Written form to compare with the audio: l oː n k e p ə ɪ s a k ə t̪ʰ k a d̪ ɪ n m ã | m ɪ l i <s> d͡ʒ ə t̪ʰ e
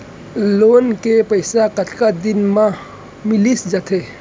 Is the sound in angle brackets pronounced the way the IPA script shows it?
yes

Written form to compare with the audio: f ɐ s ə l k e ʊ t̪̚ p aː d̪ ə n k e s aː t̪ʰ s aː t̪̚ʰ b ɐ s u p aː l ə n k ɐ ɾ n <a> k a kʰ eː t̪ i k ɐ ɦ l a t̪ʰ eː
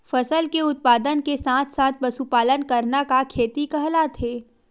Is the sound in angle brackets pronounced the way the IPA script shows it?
yes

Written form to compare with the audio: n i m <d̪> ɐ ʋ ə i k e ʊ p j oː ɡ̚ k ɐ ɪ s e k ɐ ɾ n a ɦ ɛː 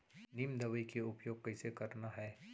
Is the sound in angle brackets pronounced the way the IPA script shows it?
yes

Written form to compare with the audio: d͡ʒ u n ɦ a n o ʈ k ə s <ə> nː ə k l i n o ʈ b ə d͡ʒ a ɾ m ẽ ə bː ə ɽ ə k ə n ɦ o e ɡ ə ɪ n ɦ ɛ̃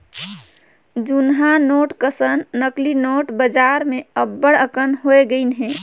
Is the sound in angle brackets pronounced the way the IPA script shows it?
yes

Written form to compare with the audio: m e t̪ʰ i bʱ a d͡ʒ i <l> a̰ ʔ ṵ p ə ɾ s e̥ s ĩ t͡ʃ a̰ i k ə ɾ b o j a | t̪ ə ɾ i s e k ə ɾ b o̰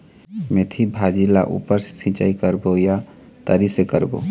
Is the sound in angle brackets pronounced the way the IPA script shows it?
yes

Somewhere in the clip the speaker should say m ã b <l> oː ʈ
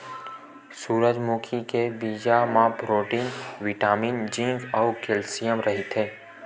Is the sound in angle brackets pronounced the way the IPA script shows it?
no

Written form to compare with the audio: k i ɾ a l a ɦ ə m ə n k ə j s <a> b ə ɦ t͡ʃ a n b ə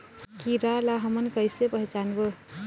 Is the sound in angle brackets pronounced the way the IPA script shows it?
no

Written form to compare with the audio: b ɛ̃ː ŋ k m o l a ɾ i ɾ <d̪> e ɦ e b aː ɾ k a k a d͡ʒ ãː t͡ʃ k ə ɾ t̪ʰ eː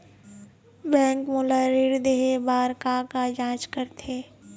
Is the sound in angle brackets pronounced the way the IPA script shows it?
yes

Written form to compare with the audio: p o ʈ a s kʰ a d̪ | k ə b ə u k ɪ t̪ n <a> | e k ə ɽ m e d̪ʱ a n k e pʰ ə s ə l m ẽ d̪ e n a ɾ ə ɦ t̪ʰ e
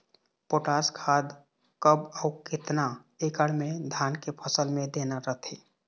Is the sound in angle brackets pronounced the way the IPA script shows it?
yes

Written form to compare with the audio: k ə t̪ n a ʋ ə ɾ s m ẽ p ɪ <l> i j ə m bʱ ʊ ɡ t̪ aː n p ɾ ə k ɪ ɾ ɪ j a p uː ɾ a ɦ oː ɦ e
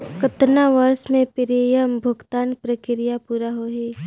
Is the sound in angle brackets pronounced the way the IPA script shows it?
no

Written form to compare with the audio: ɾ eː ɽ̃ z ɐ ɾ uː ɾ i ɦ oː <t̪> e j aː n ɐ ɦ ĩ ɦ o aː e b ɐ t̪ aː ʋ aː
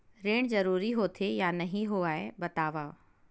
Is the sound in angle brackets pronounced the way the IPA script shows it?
no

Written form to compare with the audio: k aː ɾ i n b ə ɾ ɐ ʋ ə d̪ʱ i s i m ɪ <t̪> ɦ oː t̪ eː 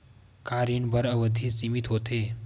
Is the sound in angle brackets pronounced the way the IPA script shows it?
yes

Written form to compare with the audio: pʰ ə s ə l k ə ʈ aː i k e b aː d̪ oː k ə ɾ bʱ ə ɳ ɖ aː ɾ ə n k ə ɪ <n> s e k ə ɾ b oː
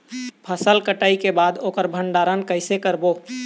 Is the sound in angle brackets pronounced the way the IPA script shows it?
no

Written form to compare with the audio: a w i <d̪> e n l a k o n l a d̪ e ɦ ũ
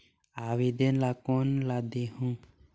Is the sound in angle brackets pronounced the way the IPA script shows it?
yes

